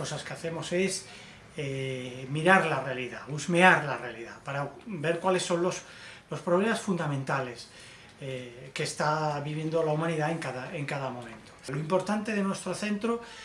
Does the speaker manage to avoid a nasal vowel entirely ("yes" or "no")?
no